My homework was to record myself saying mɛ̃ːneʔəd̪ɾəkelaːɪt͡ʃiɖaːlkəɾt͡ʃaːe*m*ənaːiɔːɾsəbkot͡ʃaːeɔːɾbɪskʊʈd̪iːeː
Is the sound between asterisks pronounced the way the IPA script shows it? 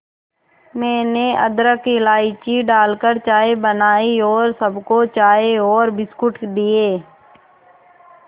no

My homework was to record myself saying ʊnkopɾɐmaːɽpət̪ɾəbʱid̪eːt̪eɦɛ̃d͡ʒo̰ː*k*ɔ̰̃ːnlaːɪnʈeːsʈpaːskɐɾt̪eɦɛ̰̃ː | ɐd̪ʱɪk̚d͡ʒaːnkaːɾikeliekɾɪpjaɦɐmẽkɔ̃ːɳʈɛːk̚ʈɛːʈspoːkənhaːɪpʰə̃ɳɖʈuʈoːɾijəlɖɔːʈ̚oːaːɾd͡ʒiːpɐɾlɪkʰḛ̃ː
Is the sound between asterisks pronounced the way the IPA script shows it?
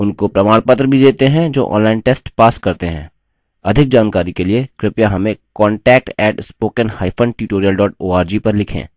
no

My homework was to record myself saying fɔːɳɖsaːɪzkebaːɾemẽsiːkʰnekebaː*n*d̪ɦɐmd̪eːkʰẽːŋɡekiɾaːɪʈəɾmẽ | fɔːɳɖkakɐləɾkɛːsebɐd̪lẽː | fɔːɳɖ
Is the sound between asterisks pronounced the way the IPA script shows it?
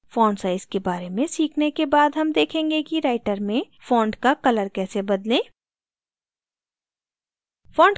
no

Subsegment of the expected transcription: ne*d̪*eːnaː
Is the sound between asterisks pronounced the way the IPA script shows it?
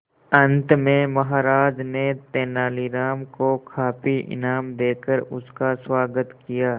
no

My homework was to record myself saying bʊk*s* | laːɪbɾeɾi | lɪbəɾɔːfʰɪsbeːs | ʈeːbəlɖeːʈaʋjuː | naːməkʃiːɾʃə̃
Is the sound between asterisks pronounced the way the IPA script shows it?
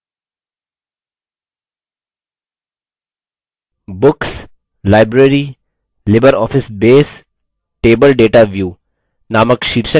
yes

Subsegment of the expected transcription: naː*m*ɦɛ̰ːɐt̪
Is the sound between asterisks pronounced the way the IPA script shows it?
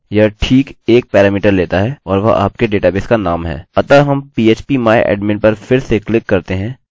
yes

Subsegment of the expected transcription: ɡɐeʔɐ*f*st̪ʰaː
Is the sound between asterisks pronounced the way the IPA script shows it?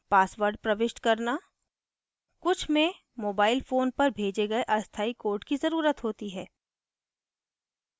no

